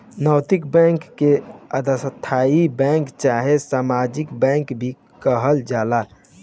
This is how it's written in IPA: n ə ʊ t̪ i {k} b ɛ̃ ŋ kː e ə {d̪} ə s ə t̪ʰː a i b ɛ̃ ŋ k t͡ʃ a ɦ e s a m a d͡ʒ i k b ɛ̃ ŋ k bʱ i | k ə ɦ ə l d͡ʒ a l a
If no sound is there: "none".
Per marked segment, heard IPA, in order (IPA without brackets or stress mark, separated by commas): k, d̪